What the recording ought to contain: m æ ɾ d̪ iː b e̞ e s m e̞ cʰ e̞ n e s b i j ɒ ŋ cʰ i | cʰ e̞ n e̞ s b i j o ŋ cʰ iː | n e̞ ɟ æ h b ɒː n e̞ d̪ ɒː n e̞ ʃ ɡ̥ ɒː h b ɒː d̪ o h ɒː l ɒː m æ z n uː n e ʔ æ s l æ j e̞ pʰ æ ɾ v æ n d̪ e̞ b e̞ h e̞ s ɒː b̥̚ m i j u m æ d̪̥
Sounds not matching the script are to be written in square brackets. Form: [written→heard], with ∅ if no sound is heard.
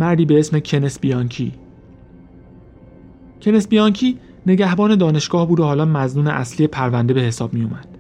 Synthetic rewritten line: m æ ɾ d̪ iː b e̞ e s m e̞ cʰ e̞ n e s b i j ɒ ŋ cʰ i | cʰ e̞ n e̞ s b i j [o→ɒ] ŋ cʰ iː | n e̞ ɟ æ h b ɒː n e̞ d̪ ɒː n e̞ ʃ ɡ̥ ɒː h b [ɒː→uː] d̪ o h ɒː l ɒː m æ z n uː n e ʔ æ s l [æ→i] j e̞ pʰ æ ɾ v æ n d̪ e̞ b e̞ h e̞ s ɒː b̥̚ m i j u m æ d̪̥